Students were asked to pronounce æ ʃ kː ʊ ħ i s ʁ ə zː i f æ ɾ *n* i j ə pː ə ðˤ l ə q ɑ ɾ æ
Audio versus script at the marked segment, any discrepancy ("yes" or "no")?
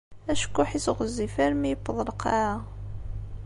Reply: yes